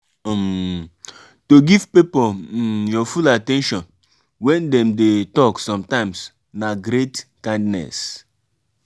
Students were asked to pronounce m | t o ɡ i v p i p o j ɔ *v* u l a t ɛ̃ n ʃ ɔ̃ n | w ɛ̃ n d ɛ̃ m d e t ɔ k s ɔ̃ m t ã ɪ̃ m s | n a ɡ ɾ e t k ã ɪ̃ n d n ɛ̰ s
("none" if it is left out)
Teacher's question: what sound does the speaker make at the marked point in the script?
f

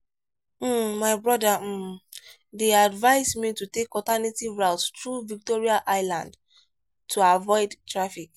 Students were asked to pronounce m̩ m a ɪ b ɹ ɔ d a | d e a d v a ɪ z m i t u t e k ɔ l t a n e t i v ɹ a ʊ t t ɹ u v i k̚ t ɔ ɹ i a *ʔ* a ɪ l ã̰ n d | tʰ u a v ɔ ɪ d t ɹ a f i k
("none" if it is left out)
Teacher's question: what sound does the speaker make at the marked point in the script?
ʔ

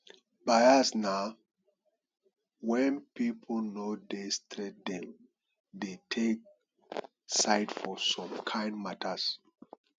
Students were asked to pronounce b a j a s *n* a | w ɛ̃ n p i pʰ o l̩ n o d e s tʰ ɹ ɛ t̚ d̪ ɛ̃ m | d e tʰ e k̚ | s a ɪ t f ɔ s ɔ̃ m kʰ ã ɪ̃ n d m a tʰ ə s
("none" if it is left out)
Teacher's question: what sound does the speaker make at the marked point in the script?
n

